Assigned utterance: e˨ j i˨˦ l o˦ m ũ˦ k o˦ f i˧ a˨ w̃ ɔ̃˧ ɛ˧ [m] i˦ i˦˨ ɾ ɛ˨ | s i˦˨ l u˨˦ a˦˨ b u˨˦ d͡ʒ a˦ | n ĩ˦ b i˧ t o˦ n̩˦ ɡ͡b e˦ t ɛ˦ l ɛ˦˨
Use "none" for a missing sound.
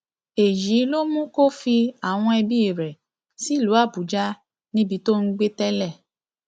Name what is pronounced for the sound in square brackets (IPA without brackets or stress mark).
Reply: b